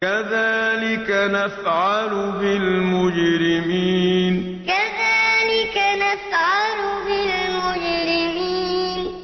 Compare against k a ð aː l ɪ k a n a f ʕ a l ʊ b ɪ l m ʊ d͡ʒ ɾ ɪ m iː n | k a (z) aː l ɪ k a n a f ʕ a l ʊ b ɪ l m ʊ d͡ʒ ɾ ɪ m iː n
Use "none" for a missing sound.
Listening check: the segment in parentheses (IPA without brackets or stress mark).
ð